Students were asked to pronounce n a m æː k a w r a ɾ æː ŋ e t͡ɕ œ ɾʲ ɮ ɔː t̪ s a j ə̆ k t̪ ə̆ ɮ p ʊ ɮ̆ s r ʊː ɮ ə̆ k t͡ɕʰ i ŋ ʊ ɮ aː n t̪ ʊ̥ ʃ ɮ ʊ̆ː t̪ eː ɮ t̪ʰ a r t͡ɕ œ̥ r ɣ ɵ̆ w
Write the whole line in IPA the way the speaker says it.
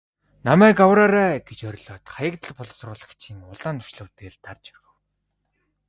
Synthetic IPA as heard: n a m æː k a w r a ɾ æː ɡ e t͡ɕ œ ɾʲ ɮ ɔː t̪ χ a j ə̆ k t̪ ə̆ ɮ p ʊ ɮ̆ s r ʊː ɮ ə̆ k t͡ɕʰ i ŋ ʊ ɮ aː n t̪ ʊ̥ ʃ ɮ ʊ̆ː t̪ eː ɮ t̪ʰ a r t͡ɕ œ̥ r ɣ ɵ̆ w